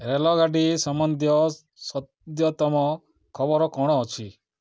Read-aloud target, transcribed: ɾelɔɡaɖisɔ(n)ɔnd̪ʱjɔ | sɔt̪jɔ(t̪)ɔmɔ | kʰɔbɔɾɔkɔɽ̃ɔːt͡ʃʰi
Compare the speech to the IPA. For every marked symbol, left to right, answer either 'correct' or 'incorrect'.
incorrect: m, correct

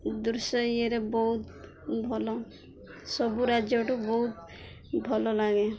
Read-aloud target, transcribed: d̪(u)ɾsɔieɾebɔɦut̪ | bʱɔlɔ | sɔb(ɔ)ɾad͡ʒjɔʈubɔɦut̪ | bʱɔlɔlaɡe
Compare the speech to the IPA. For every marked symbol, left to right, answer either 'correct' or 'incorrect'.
correct, incorrect: u

